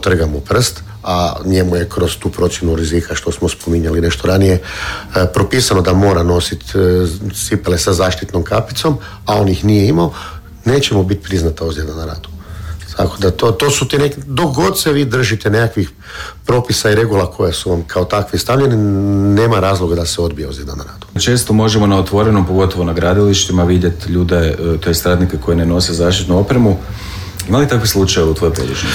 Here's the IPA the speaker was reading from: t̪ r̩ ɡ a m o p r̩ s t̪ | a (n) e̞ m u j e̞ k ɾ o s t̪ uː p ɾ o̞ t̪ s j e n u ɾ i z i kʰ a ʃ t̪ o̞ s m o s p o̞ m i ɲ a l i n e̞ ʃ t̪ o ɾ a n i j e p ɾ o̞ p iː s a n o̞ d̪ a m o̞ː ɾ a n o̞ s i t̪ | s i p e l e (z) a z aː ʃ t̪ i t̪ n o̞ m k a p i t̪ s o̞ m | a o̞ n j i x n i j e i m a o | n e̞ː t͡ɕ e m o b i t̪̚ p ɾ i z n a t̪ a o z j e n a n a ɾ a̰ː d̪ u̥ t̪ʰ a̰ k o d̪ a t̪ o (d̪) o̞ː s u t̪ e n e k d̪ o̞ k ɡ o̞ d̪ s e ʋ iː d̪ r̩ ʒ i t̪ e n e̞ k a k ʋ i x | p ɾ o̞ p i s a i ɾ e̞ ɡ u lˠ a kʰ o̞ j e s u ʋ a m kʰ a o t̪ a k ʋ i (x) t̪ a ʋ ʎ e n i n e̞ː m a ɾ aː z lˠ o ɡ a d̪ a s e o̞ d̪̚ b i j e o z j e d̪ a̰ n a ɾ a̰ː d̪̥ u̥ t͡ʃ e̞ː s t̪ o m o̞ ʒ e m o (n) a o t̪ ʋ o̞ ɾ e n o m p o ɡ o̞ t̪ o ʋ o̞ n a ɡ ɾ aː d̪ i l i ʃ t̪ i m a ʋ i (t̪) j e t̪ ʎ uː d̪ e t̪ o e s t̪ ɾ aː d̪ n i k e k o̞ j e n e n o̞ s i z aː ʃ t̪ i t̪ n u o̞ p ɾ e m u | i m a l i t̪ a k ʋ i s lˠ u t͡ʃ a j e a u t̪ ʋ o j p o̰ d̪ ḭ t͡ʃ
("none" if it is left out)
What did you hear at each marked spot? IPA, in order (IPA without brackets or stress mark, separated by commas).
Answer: ɲ, s, t̪, s, n, d̪